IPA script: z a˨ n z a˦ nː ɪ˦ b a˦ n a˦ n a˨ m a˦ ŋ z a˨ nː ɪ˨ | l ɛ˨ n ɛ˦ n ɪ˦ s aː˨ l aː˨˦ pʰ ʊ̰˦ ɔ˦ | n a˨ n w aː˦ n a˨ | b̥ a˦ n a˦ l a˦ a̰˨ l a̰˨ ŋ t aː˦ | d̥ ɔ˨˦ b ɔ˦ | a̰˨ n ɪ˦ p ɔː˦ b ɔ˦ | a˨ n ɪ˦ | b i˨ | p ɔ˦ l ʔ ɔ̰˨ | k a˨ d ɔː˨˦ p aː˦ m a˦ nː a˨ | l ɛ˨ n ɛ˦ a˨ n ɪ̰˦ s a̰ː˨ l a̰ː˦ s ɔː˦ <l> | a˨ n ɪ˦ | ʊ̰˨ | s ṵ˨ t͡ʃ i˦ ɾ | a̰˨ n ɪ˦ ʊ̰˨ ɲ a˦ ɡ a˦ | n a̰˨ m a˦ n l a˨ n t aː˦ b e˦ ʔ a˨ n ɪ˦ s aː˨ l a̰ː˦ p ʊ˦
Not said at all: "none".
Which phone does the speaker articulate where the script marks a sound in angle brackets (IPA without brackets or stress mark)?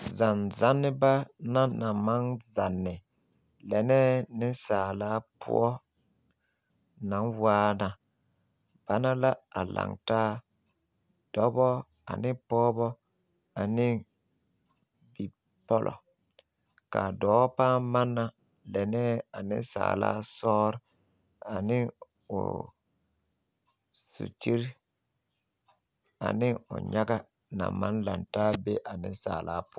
ɾ